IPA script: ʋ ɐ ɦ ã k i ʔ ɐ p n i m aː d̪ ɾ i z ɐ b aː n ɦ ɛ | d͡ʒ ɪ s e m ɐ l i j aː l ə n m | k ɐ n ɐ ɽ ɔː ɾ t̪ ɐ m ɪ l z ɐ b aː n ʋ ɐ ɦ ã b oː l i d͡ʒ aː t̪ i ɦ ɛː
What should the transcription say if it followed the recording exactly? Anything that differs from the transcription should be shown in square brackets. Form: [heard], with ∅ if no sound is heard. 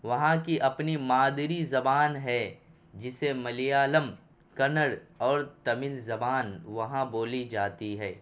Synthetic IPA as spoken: ʋ ɐ ɦ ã k i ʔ ɐ p n i m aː d̪ ɾ i z ɐ b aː n ɦ ɛ | d͡ʒ ɪ s e m ɐ l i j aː l ə [∅] m | k ɐ n [ə] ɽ ɔː ɾ t̪ ɐ m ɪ l z ɐ b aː n ʋ ɐ ɦ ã b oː l i d͡ʒ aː t̪ i ɦ ɛː

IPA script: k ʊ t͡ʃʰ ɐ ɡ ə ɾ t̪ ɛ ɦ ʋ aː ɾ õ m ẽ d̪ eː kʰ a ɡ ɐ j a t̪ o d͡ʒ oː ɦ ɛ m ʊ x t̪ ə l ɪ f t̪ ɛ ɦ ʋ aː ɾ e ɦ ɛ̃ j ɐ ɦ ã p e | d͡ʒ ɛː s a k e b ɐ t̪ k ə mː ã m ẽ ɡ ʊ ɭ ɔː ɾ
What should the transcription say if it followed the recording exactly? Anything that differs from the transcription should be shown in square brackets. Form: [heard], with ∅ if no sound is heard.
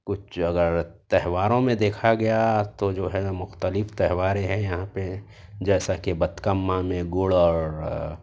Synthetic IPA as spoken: k ʊ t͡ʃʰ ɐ ɡ ə ɾ t̪ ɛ ɦ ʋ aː ɾ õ m ẽ d̪ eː kʰ a ɡ ɐ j a t̪ o d͡ʒ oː ɦ ɛ m ʊ x t̪ ə l ɪ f t̪ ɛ ɦ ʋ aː ɾ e ɦ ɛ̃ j ɐ ɦ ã p e | d͡ʒ ɛː s a k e b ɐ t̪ k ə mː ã m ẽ ɡ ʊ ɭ ɔː ɾ

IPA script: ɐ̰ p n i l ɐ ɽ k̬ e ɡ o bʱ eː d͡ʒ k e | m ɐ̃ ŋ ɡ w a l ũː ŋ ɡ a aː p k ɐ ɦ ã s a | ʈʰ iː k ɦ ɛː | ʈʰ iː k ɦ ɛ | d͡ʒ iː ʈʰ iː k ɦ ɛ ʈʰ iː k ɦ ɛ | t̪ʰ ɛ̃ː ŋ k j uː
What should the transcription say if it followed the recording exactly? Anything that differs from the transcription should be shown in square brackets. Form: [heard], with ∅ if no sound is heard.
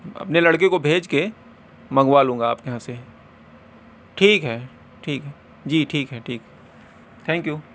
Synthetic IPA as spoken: ɐ̰ p n [e] l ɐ ɽ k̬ e [k] o bʱ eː d͡ʒ k e | m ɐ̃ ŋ ɡ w a l ũː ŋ ɡ a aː p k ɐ ɦ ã s [e] | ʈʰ iː k ɦ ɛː | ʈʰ iː k ɦ ɛ | d͡ʒ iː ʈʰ iː k ɦ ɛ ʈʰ iː k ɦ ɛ | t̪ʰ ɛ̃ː ŋ k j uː

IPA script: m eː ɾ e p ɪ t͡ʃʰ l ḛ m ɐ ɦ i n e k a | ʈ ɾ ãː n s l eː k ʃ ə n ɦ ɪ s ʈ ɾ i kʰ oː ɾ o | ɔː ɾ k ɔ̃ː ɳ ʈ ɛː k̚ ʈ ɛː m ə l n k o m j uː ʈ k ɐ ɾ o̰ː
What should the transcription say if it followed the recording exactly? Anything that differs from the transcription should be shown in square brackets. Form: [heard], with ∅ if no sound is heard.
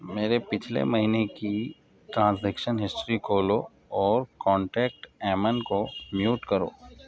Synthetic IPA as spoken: m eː ɾ e p ɪ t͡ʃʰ l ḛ m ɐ ɦ i n e k [i] | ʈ ɾ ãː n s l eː k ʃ ə n ɦ ɪ s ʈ ɾ i kʰ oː [l] o | ɔː ɾ k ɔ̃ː ɳ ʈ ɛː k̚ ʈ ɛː m ə [∅] n k o m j uː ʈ k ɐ ɾ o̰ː

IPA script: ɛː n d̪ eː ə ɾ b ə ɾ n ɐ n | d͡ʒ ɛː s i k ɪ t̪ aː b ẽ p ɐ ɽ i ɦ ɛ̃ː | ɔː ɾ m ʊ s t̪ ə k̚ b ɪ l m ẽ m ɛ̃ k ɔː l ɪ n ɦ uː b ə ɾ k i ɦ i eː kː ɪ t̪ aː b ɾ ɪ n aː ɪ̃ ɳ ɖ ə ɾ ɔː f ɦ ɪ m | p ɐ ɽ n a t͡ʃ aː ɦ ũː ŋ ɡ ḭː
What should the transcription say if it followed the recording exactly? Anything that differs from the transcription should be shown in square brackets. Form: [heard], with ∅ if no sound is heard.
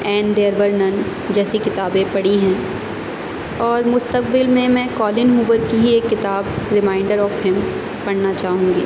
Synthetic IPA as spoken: ɛː n d̪ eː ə ɾ b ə ɾ n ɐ n | d͡ʒ ɛː s i k ɪ t̪ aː b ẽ p ɐ ɽ i ɦ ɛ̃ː | ɔː ɾ m ʊ s t̪ ə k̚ b ɪ l m ẽ m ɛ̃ k ɔː l ɪ n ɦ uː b ə ɾ k i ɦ i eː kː ɪ t̪ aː b ɾ ɪ [m] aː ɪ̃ ɳ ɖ ə ɾ ɔː f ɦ ɪ m | p ɐ ɽ n a t͡ʃ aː ɦ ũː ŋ ɡ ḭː

